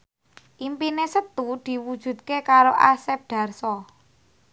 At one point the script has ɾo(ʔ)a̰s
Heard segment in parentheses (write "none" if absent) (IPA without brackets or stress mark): ʔ